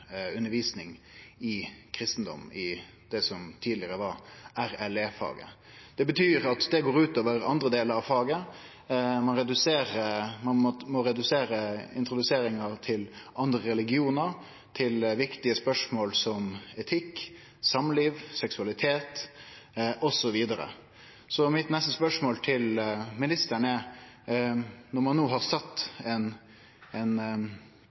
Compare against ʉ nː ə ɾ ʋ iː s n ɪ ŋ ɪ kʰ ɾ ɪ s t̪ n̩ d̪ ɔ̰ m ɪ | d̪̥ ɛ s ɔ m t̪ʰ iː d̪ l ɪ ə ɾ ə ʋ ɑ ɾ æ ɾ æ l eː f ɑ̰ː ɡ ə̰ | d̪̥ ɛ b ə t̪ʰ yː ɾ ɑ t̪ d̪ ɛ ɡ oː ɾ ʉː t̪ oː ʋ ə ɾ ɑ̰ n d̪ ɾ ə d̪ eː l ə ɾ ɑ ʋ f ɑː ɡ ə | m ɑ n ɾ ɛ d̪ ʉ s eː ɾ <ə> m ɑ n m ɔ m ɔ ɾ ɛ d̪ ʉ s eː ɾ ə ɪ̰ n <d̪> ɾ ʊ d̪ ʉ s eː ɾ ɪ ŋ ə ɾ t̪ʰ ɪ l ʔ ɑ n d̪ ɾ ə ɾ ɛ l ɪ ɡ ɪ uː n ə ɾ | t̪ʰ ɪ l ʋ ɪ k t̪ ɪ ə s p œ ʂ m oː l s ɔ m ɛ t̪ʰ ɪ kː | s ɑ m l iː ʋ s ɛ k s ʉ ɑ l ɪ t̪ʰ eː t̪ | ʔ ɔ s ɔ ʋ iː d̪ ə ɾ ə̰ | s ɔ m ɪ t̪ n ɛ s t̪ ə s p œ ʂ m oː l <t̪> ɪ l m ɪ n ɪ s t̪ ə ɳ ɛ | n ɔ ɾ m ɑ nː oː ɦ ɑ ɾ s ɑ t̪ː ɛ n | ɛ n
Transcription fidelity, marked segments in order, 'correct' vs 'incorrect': correct, incorrect: t̪, incorrect: t̪ʰ

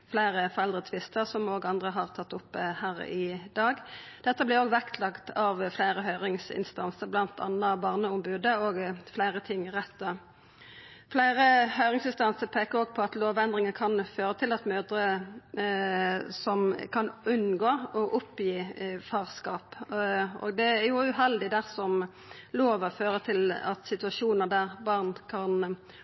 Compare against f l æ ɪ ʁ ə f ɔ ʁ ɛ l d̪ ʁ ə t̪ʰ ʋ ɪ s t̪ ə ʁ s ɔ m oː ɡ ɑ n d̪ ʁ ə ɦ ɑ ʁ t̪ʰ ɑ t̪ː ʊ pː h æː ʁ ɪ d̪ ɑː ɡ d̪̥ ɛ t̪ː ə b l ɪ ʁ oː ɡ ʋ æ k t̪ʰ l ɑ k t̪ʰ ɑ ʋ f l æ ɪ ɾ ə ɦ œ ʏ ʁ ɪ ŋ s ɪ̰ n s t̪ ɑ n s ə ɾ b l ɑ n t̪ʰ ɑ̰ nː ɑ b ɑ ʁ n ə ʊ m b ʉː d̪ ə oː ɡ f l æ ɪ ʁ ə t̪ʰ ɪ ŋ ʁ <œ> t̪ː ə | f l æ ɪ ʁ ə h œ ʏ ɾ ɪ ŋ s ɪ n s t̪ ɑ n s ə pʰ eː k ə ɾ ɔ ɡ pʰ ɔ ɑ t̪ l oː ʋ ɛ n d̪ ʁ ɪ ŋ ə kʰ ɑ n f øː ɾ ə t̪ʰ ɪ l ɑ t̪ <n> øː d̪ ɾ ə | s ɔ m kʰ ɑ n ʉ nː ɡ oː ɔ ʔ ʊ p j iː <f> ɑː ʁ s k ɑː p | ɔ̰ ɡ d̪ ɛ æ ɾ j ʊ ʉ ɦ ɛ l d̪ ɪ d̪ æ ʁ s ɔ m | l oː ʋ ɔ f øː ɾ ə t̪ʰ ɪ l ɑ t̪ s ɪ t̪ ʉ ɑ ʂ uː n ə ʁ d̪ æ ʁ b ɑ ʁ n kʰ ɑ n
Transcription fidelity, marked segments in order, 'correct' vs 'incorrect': incorrect: ɛ, incorrect: m, correct

